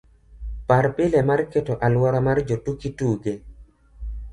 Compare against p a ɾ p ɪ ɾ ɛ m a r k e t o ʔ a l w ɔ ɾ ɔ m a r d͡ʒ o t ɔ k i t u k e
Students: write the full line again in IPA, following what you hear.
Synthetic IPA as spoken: p a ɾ p ɪ l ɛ m a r k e t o ʔ a l w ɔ ɾ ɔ m a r d͡ʒ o t u k i t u ɡ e